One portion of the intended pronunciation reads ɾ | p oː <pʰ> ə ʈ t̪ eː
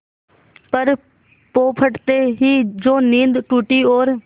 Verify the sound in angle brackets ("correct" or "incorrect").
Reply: correct